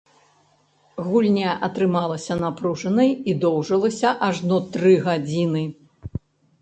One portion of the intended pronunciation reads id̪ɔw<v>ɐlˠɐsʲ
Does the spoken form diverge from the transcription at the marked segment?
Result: yes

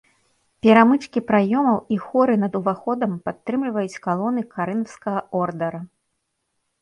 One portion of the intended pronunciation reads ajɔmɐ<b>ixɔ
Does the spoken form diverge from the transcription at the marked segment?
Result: yes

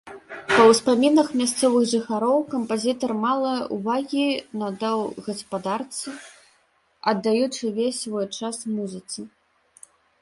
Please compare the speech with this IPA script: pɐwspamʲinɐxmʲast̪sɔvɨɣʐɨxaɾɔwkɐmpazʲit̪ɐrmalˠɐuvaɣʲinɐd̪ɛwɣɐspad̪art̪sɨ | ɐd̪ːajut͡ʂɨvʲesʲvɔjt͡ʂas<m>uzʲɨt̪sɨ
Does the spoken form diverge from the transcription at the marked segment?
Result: no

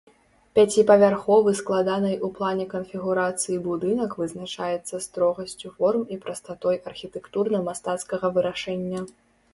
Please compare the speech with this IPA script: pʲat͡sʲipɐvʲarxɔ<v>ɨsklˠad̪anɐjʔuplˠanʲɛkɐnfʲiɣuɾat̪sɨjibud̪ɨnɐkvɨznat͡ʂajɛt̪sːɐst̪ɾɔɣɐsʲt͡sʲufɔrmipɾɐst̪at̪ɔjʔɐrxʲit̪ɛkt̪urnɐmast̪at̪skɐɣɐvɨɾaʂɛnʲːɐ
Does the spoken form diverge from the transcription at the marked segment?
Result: no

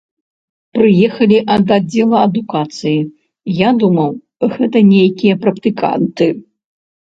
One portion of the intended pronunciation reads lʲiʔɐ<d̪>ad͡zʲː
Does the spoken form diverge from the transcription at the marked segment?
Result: no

